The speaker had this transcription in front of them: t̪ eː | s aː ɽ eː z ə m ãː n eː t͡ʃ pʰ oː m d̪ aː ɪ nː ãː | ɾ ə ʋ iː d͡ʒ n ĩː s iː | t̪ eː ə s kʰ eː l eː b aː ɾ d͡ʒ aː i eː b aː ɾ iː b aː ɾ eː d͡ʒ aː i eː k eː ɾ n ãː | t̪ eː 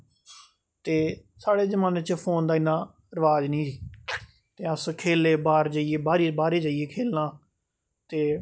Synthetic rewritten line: t̪ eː | s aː ɽ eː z ə m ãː n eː t͡ʃ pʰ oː n d̪ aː ɪ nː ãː | ɾ ə ʋ aː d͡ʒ n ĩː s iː | t̪ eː ə s kʰ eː l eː b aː ɾ d͡ʒ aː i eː b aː ɾ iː b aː ɾ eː d͡ʒ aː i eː kʰ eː l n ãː | t̪ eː

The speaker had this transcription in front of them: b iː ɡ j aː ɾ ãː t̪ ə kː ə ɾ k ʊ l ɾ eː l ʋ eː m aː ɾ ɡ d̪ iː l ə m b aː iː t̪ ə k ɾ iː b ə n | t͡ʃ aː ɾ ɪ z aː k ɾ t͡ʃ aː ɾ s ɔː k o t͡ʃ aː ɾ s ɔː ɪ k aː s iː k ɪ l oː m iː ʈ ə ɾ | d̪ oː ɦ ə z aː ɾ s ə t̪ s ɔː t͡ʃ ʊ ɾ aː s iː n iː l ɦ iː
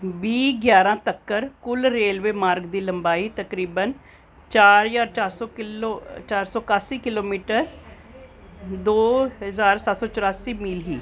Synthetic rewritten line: b iː ɡ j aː ɾ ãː t̪ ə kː ə ɾ k ʊ l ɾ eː l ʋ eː m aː ɾ ɡ d̪ iː l ə m b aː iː t̪ ə k ɾ iː b ə n | t͡ʃ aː ɾ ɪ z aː ɾ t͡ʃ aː ɾ s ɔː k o t͡ʃ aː ɾ s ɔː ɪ k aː s iː k ɪ l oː m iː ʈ ə ɾ | d̪ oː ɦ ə z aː ɾ s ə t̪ s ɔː t͡ʃ ʊ ɾ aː s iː m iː l ɦ iː

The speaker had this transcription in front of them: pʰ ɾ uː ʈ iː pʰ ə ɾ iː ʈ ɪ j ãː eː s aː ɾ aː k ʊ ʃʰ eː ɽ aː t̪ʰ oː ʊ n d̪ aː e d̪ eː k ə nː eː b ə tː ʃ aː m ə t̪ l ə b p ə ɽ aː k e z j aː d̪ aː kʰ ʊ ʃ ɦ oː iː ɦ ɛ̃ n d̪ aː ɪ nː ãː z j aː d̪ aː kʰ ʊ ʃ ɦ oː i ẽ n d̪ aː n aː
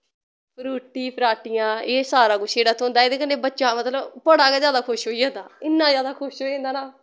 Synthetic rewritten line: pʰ ɾ uː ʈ iː pʰ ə ɾ aː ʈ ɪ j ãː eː s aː ɾ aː k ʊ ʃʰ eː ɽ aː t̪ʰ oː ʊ n d̪ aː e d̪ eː k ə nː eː b ə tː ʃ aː m ə t̪ l ə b p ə ɽ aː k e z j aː d̪ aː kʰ ʊ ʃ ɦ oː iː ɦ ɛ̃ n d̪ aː ɪ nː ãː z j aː d̪ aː kʰ ʊ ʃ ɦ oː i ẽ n d̪ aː n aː

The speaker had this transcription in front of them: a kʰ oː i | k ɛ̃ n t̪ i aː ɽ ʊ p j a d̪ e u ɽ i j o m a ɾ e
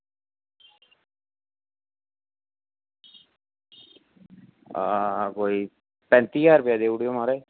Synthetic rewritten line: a k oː i | p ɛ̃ n t̪ i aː ɾ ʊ p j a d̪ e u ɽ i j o m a ɾ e

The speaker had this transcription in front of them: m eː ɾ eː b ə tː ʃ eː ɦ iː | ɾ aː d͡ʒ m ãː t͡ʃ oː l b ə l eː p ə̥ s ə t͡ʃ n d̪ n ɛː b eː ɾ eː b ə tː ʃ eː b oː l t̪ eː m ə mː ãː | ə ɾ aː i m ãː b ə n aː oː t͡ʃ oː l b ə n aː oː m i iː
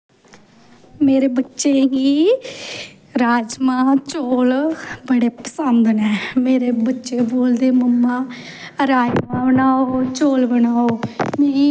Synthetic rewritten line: m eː ɾ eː b ə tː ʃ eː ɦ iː | ɾ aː d͡ʒ m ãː t͡ʃ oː l b ə ɽ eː p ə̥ s ə n d̪ n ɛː m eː ɾ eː b ə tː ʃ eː b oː l d̪ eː m ə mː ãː | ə ɾ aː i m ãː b ə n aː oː t͡ʃ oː l b ə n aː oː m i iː

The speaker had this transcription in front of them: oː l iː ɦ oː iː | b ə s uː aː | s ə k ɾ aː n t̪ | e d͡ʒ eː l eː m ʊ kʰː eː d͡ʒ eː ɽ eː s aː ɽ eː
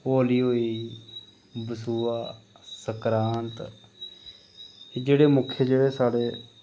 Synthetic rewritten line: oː l iː ɦ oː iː | b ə s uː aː | s ə k ɾ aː n t̪ | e d͡ʒ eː ɽ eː m ʊ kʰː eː d͡ʒ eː ɽ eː s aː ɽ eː

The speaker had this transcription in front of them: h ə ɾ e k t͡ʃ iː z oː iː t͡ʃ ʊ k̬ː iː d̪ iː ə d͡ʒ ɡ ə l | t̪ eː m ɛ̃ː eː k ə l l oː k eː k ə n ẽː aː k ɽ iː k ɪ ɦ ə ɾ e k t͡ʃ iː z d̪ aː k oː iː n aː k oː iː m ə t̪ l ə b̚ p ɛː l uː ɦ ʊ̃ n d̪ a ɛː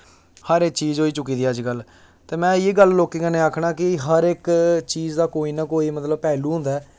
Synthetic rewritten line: h ə ɾ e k t͡ʃ iː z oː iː t͡ʃ ʊ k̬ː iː d̪ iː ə d͡ʒ ɡ ə l | t̪ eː m ɛ̃ː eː ɡ ə l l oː k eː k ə n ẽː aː kʰ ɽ aː k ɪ ɦ ə ɾ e k t͡ʃ iː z d̪ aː k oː iː n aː k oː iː m ə t̪ l ə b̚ p ɛː l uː ɦ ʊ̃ n d̪ a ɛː

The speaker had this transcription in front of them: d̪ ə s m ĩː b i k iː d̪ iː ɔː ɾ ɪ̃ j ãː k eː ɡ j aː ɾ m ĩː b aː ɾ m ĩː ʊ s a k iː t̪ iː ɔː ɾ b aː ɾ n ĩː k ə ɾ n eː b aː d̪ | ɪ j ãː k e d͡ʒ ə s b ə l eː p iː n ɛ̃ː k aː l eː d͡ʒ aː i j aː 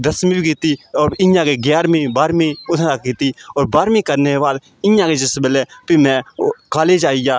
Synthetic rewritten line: d̪ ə s m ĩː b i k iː t̪ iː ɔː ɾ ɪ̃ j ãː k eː ɡ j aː ɾ m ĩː b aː ɾ m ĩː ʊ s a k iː t̪ iː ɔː ɾ b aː ɾ m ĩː k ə ɾ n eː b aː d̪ | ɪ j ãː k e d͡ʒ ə s b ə l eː p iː m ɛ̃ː k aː l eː d͡ʒ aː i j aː

